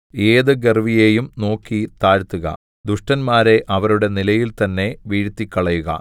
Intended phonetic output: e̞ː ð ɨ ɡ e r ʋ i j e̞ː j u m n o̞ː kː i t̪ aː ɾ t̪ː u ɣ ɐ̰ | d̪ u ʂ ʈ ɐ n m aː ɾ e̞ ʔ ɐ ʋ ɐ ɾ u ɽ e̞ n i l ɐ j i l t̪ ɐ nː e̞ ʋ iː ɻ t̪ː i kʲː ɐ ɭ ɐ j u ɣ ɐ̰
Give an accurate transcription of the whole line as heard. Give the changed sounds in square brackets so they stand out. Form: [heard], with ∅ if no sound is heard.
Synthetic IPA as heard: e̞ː ð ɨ ɡ e r ʋ i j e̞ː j u m n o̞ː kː i t̪ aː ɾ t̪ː u ɣ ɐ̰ | d̪ u ʂ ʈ ɐ n m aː ɾ e̞ ʔ ɐ ʋ ɐ ɾ u ɽ e̞ n i l ɐ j i l t̪ ɐ nː e̞ ʋ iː ɻ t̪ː i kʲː ɐ ɭ ɐ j u ɣ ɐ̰